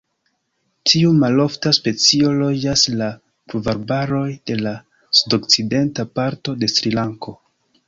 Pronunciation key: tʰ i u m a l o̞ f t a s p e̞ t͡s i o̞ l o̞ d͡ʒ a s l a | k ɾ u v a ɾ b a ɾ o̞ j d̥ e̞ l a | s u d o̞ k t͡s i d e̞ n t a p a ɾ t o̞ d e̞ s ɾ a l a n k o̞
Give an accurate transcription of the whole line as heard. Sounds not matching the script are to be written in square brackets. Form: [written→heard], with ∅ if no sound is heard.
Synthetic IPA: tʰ i u m a l o̞ f t a s p e̞ t͡s i o̞ l o̞ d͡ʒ a s l a | [k→p] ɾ u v a ɾ b a ɾ o̞ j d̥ e̞ l a | s u d o̞ k t͡s i d e̞ n t a p a ɾ t o̞ d e̞ s ɾ [a→i] l a [n→ŋ] k o̞